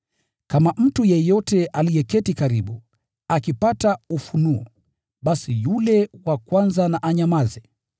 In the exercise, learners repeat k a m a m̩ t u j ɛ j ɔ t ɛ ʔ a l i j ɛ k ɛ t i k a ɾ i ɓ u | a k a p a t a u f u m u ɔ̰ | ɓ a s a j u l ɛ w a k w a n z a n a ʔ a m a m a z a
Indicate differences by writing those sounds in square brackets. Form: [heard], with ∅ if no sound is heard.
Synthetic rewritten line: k a m a m̩ t u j ɛ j ɔ t ɛ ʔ a l i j ɛ k ɛ t i k a ɾ i ɓ u | a k [i] p a t a u f u [n] u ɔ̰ | ɓ a s [i] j u l ɛ w a k w a n z a n a ʔ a [ɲ] a m a z [ɛ]